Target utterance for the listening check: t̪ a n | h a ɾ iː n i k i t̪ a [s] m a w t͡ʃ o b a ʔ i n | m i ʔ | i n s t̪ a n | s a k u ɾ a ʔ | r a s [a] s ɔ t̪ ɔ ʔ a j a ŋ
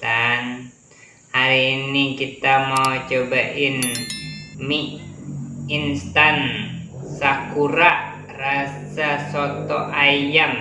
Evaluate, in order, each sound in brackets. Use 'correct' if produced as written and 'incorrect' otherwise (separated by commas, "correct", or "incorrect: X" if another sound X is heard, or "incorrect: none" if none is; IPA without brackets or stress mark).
incorrect: none, correct